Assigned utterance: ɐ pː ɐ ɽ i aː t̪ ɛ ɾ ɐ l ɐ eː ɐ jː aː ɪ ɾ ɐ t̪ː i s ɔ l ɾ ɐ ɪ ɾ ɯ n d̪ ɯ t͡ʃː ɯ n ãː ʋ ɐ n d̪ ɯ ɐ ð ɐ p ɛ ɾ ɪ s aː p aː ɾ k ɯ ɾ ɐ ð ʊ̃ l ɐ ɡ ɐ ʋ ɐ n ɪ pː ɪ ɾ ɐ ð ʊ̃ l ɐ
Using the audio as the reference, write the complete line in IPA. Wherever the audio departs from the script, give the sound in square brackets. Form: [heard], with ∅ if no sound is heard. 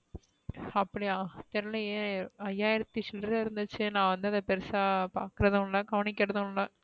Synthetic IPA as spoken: ɐ pː ɐ ɽ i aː t̪ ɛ ɾ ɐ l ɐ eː ɐ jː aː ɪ ɾ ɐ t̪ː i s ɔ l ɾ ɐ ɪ ɾ ɯ n d̪ ɯ t͡ʃː ɯ n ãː ʋ ɐ n d̪ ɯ ɐ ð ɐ p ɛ ɾ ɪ s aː p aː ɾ k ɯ ɾ ɐ ð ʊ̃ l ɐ ɡ ɐ ʋ ɐ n ɪ [kː] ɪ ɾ ɐ ð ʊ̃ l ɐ